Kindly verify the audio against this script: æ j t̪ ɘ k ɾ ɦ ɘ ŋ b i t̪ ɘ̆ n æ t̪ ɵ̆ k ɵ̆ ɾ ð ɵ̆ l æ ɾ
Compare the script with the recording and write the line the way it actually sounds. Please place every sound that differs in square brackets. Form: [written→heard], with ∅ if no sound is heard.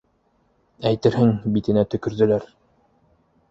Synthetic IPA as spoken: æ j t̪ ɘ [k→∅] ɾ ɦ ɘ ŋ b i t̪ ɘ̆ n æ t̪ ɵ̆ k ɵ̆ ɾ ð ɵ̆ l æ ɾ